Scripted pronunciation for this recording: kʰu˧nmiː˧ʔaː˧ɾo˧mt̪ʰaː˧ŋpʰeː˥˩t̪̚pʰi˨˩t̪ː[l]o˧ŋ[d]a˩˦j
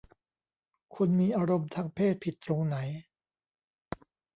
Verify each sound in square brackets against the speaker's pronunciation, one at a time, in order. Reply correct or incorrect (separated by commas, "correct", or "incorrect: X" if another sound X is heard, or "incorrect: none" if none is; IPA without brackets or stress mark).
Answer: incorrect: ɾ, incorrect: n